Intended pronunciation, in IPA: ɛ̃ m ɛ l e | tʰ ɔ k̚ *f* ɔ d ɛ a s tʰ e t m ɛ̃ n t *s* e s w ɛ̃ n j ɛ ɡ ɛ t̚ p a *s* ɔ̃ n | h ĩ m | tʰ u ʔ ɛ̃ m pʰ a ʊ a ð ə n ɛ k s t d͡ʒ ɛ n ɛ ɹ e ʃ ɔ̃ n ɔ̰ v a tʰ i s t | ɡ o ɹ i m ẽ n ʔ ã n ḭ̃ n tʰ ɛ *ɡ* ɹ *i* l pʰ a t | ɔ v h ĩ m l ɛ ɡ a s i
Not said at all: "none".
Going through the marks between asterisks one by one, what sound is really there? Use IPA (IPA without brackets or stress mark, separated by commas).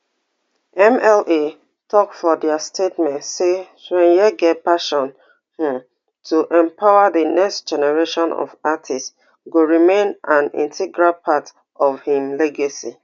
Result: f, s, ʃ, ɡ, a